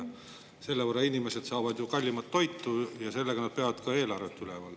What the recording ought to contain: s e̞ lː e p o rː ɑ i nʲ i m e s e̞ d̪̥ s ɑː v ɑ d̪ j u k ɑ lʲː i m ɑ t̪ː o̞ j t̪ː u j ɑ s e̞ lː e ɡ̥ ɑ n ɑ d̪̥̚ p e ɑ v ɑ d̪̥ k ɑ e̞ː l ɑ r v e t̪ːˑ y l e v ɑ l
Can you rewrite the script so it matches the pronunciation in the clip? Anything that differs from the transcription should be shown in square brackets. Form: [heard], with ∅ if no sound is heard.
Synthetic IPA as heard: s e̞ lː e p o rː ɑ i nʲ i m e s e̞ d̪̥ s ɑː v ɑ d̪ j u k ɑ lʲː i m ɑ t̪ː o̞ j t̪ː u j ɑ s e̞ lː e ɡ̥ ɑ n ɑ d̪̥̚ p e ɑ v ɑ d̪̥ k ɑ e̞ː l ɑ r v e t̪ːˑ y l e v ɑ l